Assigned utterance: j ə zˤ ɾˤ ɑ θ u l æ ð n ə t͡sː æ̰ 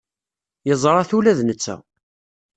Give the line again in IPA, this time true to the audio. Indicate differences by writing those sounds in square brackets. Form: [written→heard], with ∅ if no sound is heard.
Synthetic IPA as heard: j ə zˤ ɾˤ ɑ θ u l æ ð n ə t͡sː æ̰